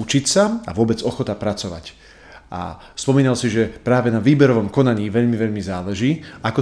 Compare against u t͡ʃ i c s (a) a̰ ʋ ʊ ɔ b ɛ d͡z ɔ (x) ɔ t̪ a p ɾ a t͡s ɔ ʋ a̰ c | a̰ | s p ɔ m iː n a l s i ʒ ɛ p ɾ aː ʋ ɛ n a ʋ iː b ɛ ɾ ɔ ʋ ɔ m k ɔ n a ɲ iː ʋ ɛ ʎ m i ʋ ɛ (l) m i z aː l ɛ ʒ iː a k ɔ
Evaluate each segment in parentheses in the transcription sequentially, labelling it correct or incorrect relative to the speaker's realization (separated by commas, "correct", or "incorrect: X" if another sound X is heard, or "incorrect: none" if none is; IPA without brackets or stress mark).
correct, correct, incorrect: ʎ